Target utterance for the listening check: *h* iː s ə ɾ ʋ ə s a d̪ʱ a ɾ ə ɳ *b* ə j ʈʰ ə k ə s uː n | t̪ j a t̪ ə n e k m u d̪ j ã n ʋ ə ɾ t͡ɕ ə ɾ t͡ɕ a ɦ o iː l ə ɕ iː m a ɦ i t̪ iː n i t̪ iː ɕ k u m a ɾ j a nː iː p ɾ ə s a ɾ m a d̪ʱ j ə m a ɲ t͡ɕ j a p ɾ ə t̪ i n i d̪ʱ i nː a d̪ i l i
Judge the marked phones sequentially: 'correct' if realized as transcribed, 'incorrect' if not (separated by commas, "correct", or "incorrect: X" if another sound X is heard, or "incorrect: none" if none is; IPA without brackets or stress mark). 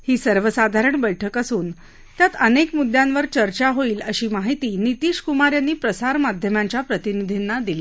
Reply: correct, correct